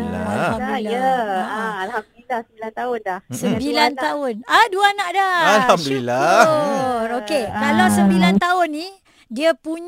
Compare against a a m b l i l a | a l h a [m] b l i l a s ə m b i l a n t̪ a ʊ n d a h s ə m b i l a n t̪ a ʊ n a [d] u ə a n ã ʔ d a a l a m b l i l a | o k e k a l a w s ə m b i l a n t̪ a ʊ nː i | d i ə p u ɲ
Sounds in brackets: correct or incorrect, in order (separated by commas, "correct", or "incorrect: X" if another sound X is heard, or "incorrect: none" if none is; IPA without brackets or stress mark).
correct, correct